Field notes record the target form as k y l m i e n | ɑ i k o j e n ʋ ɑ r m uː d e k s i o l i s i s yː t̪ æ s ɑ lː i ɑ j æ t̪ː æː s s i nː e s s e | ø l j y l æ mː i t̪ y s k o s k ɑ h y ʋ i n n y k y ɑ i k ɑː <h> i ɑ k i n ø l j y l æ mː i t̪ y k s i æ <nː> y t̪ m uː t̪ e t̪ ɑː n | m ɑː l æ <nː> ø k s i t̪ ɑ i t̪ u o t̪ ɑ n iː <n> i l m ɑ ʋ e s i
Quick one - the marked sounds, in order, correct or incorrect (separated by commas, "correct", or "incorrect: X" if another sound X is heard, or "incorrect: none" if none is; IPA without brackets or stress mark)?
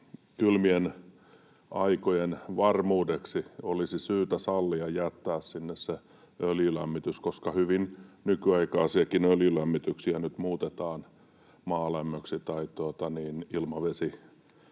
incorrect: s, incorrect: n, incorrect: mː, correct